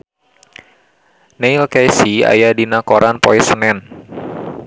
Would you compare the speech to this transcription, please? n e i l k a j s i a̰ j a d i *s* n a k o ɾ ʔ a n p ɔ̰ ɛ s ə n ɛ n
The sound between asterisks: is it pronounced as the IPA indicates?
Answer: no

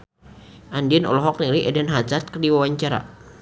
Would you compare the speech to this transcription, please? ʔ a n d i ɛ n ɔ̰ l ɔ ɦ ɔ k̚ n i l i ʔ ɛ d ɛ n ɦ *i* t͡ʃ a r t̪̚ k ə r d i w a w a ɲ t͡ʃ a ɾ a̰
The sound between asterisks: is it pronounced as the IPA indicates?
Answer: no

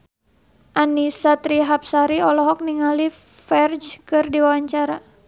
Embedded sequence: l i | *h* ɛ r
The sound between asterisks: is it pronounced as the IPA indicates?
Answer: no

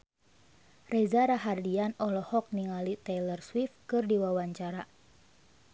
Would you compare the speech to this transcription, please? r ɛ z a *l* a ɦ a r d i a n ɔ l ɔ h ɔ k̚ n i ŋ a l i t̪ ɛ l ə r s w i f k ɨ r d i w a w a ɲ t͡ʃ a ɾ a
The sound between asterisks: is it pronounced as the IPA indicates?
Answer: no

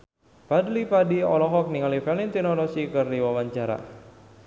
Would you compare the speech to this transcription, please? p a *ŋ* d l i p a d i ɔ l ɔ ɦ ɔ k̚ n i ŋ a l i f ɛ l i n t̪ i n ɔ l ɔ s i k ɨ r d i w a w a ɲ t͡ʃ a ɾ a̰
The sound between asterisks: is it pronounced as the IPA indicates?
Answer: no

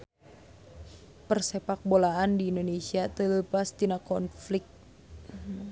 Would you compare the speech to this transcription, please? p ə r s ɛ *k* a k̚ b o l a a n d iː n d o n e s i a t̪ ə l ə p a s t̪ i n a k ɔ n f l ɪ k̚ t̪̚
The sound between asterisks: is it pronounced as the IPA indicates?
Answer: no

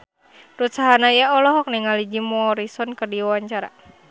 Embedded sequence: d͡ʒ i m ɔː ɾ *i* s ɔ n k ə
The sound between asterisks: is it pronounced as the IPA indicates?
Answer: yes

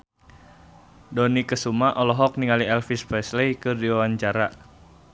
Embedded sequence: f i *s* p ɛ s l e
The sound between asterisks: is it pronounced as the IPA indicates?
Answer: yes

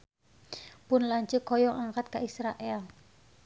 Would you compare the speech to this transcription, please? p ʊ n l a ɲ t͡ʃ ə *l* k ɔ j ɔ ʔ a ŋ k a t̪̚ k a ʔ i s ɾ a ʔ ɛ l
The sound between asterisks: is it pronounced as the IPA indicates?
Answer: no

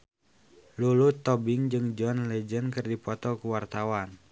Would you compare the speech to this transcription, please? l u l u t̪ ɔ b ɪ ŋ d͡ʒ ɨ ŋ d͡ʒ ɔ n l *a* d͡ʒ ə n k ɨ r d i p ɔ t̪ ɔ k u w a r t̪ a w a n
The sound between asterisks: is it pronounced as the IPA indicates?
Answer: no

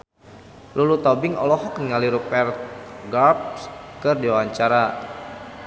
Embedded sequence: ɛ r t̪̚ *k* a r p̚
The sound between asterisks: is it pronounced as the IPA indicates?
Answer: no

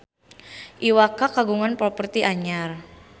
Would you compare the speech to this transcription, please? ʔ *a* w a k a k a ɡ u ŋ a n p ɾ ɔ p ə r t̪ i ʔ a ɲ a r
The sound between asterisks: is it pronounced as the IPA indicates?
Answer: no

